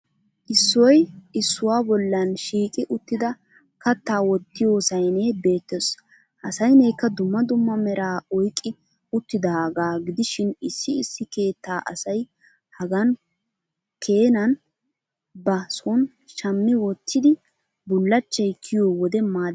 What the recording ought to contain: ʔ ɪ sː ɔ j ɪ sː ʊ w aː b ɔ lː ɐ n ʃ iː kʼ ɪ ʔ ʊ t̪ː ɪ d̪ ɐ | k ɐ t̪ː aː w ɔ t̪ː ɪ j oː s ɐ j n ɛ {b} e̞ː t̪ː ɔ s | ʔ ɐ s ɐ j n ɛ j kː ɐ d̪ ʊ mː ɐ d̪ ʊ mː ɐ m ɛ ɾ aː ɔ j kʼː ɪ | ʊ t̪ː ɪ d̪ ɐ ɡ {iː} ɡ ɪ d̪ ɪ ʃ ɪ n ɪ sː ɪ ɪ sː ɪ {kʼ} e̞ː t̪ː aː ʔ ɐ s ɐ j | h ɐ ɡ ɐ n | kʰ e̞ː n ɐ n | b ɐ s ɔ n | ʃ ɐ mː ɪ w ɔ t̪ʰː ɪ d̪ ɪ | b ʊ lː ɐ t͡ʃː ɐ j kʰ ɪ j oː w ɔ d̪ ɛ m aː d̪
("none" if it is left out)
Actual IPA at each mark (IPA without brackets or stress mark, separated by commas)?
b, aː, k